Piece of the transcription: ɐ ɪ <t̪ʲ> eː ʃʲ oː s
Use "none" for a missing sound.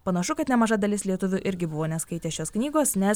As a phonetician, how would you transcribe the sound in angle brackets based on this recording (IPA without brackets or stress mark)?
t̪ʲ